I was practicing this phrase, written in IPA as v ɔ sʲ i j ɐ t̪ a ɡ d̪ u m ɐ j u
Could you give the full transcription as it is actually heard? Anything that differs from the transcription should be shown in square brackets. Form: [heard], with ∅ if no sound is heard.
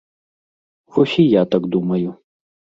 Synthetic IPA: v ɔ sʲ i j [a] t̪ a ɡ d̪ u m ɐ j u